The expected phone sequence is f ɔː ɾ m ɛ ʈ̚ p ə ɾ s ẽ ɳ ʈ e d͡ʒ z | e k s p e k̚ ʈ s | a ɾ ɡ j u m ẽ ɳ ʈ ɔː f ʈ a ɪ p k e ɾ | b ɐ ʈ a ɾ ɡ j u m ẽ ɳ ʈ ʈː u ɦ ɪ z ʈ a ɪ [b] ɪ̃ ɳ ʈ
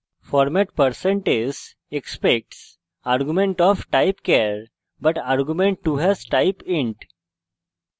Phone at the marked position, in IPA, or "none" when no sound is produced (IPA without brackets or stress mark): p